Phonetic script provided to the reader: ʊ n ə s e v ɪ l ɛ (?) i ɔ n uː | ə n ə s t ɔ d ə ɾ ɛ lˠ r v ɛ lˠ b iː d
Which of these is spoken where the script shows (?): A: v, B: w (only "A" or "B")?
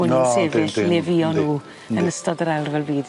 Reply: A